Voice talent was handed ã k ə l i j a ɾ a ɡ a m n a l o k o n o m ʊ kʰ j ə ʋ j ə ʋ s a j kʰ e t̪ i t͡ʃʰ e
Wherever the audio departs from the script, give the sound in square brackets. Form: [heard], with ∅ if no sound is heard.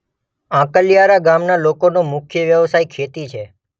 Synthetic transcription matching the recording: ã k ə l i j a ɾ a ɡ a m n a l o k o n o m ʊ kʰ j ə ʋ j ə ʋ s a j kʰ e t̪ i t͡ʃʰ e

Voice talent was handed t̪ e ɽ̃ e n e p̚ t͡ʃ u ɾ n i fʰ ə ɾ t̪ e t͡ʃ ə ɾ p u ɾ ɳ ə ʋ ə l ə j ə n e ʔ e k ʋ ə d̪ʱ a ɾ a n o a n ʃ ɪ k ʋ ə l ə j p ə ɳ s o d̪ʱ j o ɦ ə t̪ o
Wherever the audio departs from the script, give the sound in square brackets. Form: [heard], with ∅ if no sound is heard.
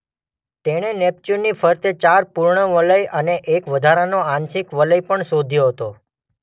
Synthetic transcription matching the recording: t̪ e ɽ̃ e n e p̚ t͡ʃ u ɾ n i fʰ ə ɾ t̪ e t͡ʃ [a] ɾ p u ɾ ɳ ə ʋ ə l ə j ə n e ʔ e k ʋ ə d̪ʱ a ɾ a n o a n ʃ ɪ k ʋ ə l ə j p ə ɳ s o d̪ʱ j o ɦ ə t̪ o

